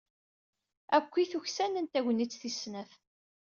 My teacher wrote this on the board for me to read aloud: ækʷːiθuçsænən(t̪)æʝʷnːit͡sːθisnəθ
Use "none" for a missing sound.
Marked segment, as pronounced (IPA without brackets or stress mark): t̪